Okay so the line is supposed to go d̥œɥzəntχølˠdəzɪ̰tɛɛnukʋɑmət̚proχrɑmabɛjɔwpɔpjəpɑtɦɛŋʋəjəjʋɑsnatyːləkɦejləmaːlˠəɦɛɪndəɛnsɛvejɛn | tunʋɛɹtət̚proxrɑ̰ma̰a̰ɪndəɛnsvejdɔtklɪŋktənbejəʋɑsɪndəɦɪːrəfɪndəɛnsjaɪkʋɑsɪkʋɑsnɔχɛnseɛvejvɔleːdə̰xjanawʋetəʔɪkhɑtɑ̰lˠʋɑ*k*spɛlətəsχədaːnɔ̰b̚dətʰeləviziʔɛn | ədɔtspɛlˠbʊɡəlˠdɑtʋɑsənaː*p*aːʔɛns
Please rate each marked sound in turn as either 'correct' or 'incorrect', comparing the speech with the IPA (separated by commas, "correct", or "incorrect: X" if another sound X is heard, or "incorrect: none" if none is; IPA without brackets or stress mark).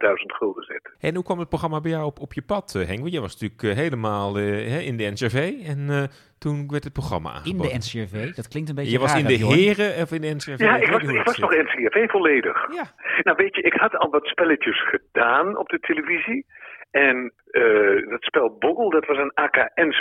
incorrect: t, incorrect: k